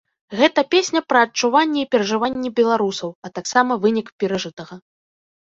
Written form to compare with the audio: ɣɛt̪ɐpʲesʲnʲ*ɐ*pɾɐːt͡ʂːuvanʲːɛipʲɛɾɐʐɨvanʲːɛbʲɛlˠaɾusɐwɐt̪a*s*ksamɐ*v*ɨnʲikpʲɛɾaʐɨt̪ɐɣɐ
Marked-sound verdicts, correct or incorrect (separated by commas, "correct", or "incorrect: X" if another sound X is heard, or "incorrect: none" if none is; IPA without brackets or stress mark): correct, incorrect: none, correct